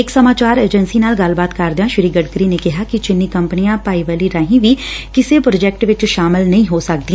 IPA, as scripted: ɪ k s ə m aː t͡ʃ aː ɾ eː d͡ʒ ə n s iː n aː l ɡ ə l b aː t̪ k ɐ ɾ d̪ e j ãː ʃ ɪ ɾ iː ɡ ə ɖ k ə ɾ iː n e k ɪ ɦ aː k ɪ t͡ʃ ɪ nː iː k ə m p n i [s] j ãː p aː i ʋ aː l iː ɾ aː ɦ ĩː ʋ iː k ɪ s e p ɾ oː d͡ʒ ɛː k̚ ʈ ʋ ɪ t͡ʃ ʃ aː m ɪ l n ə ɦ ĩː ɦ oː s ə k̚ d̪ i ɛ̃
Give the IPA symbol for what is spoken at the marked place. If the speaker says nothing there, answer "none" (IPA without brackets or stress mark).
none